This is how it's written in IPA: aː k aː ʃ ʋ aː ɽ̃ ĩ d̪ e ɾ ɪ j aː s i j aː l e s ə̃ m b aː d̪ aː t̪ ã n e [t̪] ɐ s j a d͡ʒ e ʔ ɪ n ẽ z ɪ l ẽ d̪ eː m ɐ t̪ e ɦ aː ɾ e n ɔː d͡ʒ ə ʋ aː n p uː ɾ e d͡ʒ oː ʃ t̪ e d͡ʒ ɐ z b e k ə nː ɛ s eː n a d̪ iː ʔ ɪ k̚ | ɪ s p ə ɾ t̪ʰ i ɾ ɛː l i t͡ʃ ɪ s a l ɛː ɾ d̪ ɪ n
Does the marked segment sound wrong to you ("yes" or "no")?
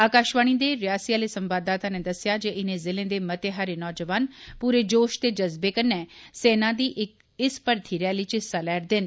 yes